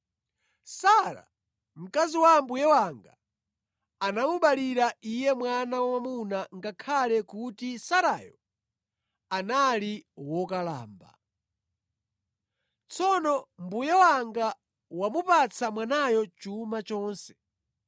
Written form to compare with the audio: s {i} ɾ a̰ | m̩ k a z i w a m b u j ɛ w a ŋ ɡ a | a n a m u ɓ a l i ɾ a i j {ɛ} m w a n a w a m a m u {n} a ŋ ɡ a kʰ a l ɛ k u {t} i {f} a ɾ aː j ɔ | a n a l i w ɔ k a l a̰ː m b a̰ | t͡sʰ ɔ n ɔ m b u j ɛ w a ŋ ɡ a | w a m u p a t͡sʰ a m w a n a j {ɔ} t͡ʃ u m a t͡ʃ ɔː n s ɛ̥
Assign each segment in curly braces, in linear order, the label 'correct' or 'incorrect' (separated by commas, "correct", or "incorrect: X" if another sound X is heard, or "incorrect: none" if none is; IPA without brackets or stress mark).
incorrect: a, correct, correct, correct, incorrect: s, correct